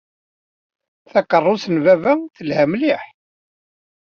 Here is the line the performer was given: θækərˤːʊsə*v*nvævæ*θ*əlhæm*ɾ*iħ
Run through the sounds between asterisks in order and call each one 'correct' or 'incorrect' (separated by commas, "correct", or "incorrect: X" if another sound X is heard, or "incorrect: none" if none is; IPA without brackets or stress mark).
incorrect: none, correct, incorrect: l